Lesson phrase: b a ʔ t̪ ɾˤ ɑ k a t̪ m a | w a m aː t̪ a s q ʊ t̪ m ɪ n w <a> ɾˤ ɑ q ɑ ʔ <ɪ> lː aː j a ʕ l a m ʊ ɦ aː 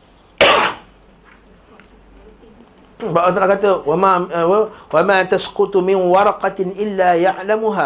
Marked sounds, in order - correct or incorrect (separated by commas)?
incorrect, correct